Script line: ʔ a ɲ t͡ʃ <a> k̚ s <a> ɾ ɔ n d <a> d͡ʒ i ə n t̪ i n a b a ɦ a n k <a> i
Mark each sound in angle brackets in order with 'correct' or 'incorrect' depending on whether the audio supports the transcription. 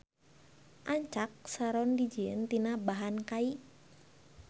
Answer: correct, correct, incorrect, correct

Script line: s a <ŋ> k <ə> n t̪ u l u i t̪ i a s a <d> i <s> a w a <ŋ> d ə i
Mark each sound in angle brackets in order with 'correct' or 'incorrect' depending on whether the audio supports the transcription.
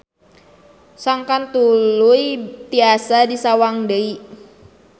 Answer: correct, incorrect, correct, correct, correct

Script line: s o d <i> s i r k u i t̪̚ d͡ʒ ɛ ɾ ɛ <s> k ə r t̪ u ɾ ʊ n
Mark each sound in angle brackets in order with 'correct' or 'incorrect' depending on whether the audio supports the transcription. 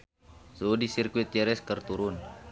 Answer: correct, correct

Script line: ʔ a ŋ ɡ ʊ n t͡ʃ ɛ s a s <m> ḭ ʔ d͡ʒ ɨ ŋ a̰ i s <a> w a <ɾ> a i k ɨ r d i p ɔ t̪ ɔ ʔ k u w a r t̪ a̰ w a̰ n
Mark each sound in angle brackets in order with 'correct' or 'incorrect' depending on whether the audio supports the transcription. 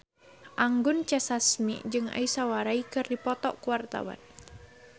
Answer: correct, correct, correct

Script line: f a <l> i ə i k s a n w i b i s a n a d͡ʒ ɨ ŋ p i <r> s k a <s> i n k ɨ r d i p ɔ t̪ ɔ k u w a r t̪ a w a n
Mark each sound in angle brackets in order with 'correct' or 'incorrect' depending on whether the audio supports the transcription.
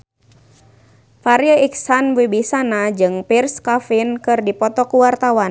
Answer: incorrect, correct, incorrect

